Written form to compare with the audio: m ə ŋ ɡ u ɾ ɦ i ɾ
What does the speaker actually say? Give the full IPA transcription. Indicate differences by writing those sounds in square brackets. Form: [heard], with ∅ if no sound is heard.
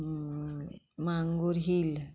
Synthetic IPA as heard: m [a] ŋ ɡ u ɾ ɦ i [l]